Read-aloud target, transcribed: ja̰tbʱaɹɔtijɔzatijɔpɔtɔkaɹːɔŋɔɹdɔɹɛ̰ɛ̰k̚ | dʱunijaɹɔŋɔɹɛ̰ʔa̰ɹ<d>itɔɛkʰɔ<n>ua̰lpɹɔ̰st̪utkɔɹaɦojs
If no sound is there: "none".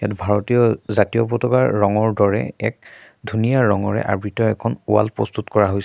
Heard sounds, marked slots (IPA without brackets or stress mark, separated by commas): b, n